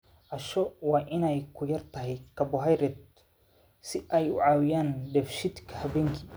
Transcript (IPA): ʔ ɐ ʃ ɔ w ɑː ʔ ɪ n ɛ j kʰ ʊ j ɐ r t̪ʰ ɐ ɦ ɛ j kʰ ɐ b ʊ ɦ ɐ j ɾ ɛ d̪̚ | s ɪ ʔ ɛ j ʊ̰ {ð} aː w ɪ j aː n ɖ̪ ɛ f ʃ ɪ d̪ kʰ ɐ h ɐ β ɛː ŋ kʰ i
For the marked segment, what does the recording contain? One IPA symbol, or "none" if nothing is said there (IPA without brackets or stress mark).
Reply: ʕ